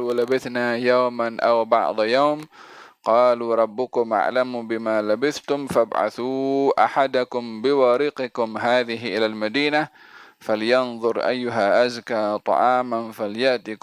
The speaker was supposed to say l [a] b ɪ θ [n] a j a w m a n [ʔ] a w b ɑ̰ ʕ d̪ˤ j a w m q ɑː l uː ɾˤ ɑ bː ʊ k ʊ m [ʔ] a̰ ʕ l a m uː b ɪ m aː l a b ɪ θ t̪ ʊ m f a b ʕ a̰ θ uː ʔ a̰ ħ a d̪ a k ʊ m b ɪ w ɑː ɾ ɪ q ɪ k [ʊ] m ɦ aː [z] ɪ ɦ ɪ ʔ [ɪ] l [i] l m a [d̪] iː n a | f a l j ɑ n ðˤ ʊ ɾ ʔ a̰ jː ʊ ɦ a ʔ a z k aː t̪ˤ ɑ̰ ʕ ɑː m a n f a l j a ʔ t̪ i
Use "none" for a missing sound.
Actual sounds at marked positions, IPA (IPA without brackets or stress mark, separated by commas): a, n, ʔ, ʔ, ʊ, ð, ɪ, a, d̪